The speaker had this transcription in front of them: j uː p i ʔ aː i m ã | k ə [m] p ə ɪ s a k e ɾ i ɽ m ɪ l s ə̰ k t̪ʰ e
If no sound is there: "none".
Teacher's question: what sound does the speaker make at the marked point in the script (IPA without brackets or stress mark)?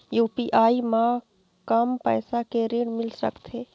m